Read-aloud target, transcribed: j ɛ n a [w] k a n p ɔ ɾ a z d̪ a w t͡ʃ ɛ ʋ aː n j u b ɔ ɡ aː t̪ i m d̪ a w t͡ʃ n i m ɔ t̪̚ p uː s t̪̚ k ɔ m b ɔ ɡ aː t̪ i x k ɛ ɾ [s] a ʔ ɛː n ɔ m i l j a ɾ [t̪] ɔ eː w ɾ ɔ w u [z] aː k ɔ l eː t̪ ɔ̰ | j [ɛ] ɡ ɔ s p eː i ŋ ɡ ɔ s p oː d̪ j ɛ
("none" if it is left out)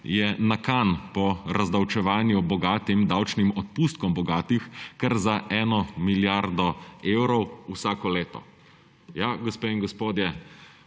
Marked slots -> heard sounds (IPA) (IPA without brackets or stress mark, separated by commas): none, z, d̪, s, a